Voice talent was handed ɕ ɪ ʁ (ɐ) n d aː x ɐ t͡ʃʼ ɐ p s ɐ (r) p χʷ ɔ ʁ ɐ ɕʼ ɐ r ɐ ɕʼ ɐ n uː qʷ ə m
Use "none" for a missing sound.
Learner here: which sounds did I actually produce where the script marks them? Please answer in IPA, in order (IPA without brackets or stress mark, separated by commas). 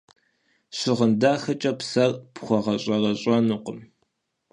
ə, r